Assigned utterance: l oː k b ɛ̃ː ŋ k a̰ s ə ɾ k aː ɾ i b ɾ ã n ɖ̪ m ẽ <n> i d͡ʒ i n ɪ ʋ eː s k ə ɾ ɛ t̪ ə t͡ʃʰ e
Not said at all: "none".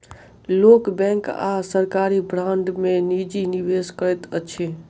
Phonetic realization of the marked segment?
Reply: n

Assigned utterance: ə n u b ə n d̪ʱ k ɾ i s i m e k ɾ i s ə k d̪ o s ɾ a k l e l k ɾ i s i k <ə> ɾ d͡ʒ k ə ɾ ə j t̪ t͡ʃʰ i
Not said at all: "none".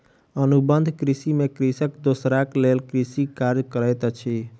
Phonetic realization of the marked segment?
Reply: a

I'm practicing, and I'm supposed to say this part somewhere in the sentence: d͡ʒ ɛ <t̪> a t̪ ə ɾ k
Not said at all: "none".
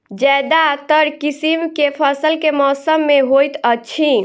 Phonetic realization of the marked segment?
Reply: d̪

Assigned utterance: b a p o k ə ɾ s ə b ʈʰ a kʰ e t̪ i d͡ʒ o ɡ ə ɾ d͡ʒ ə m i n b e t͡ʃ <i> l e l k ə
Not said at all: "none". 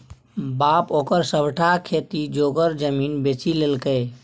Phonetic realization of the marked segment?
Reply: i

